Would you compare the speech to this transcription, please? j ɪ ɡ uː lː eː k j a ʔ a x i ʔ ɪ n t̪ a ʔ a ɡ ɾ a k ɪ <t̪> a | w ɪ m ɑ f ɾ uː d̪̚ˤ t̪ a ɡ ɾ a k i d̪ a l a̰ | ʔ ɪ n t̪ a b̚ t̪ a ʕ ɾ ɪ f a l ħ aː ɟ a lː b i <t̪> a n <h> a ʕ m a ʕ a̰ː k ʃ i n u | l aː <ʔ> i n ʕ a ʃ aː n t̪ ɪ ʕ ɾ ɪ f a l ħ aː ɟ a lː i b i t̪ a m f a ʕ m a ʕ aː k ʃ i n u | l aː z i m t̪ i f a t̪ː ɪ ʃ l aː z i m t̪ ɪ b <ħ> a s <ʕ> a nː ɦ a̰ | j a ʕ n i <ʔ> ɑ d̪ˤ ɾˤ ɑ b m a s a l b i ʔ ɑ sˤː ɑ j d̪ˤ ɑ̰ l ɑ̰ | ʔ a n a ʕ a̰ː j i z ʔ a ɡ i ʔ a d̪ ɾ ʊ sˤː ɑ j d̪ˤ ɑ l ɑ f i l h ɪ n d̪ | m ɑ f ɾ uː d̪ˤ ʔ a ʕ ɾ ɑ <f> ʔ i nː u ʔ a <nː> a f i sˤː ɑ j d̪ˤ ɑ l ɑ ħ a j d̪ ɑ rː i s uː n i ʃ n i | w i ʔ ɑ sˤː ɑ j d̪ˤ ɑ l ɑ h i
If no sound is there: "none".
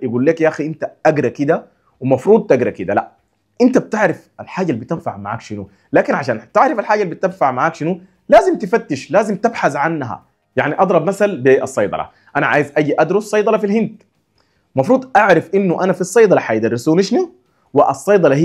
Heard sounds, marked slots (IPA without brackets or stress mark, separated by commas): d̪, t̪, f, k, ħ, ʕ, ʔ, f, n